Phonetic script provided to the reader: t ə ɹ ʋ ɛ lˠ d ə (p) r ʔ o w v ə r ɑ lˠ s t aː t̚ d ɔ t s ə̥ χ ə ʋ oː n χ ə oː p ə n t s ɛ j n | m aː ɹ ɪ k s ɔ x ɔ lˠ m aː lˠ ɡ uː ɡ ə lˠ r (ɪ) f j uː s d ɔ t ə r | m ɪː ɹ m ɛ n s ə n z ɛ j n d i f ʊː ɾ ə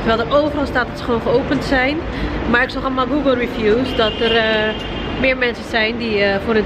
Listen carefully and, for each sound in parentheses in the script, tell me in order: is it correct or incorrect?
incorrect: none, incorrect: i

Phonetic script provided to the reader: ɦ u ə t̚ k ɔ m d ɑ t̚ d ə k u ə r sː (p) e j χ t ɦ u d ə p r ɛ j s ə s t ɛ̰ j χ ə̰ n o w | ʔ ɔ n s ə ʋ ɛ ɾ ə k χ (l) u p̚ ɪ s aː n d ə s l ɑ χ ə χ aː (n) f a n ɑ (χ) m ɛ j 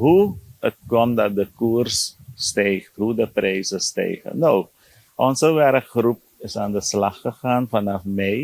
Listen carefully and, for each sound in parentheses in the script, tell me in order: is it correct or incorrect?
incorrect: t, incorrect: r, correct, incorrect: f

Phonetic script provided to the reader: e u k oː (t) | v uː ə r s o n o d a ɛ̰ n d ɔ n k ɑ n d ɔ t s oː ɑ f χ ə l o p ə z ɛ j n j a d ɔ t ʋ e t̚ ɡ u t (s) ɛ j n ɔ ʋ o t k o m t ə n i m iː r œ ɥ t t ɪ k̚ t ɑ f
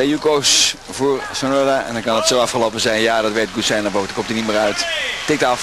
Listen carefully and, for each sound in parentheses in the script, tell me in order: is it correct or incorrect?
incorrect: s, correct

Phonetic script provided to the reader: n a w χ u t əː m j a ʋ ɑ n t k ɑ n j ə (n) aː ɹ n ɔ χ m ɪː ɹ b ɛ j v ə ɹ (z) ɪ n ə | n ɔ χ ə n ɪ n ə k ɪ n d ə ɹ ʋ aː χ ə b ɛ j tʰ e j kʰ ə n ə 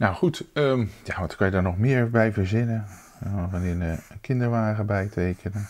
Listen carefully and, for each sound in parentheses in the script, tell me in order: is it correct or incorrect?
incorrect: d, correct

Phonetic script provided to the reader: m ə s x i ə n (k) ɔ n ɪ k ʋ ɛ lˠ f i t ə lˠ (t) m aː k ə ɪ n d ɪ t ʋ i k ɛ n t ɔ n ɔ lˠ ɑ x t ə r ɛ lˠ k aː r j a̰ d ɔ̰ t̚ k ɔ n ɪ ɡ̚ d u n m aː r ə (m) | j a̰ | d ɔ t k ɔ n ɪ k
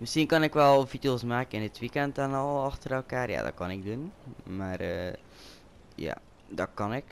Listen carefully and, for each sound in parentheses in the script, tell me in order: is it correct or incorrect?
correct, incorrect: s, incorrect: none

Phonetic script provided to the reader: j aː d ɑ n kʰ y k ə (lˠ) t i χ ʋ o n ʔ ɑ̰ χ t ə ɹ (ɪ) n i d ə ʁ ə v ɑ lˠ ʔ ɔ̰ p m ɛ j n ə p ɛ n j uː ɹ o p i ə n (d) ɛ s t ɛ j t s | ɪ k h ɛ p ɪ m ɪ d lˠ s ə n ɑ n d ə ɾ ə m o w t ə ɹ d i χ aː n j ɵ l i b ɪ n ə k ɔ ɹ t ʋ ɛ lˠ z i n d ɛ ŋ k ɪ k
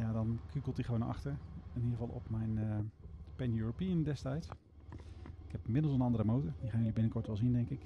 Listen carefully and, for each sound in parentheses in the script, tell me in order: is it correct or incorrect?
correct, correct, correct

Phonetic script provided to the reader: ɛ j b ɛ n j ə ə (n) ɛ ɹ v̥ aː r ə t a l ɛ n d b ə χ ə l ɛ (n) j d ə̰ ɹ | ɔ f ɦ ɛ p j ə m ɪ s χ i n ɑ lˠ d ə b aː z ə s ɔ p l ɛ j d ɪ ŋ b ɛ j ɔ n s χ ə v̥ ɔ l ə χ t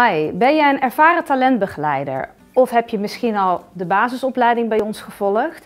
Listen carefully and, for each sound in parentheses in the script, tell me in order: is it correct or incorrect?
correct, incorrect: none

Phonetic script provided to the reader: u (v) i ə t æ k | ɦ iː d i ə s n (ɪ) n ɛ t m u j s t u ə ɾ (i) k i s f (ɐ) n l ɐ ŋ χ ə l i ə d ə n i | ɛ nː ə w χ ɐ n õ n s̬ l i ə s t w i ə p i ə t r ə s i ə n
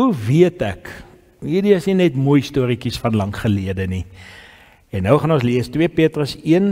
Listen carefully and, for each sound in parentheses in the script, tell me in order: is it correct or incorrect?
correct, incorrect: i, correct, correct

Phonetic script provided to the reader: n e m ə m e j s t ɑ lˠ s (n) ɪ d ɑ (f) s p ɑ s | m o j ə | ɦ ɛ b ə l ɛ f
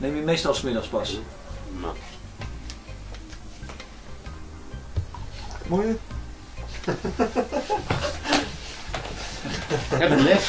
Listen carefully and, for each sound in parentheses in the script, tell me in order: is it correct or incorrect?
incorrect: m, incorrect: χ

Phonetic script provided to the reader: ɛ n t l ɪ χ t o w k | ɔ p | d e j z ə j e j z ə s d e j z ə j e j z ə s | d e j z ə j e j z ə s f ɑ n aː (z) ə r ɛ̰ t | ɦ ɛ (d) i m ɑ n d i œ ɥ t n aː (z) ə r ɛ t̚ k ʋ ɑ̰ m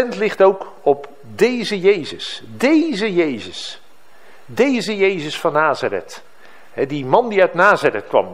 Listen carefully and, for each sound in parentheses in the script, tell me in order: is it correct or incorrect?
correct, correct, correct

